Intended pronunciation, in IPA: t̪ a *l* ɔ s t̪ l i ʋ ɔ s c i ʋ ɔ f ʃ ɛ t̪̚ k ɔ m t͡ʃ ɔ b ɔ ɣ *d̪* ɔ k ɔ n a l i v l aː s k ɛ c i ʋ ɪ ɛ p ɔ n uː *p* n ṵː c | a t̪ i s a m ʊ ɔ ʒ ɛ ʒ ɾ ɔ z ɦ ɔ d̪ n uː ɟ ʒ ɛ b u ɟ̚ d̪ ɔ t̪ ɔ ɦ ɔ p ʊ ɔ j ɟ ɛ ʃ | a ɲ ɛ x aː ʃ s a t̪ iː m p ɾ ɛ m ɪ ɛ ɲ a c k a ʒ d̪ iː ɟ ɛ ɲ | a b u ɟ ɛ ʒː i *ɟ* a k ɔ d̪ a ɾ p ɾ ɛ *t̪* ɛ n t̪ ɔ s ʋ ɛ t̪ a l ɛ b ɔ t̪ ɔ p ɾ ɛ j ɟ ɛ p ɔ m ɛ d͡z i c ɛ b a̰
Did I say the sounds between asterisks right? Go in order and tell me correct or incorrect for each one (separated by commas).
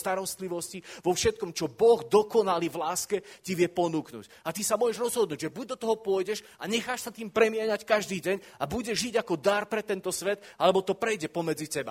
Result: incorrect, correct, incorrect, correct, correct